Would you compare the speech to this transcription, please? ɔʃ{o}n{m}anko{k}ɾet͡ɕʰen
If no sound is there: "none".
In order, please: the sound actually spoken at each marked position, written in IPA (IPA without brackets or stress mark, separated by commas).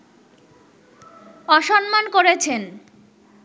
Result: ɔ, m, none